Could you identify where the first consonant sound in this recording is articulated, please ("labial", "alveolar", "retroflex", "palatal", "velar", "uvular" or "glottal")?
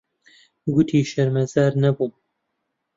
velar